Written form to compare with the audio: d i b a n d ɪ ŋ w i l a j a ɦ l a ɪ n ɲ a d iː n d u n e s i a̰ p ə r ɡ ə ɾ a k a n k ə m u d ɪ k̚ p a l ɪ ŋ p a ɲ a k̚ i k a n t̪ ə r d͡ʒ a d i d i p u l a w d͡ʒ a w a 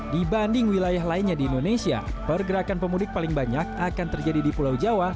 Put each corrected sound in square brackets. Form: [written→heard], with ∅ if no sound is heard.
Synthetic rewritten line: d i b a n d ɪ ŋ w i l a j a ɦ l a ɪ n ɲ a d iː n d [u→o] n e s i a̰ p ə r ɡ ə ɾ a k a n [k→p] ə m u d ɪ k̚ p a l ɪ ŋ [p→b] a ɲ a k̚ [i→a] k a n t̪ ə r d͡ʒ a d i d i p u l a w d͡ʒ a w a